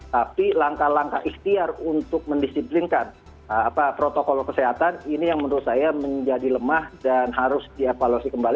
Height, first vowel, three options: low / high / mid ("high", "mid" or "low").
low